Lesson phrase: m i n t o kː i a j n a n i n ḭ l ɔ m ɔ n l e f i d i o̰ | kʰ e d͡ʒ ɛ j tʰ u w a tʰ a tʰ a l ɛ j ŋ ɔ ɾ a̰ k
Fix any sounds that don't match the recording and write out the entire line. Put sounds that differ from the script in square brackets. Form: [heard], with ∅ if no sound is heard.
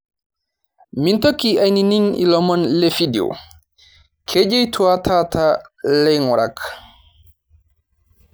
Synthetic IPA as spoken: m i n t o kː i a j n [i] n i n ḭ l ɔ m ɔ n l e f i d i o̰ | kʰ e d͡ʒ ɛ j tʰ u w a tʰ a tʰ a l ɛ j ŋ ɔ ɾ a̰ k